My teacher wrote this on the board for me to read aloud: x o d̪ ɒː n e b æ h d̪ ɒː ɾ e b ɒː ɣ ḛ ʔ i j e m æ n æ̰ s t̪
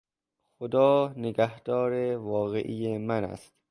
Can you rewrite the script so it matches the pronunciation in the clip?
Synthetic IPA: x o d̪ ɒː n e ɡ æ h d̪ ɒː ɾ e v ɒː ɣ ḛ ʔ i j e m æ n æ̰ s t̪